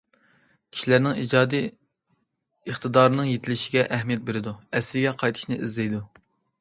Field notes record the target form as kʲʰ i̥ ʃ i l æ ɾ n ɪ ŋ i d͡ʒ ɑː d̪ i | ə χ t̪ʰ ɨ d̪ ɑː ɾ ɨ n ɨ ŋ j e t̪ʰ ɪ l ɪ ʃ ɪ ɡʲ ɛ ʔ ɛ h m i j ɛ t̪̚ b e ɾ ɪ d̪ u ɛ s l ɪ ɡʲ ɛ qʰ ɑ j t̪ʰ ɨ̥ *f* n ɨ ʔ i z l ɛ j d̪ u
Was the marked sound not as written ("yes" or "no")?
yes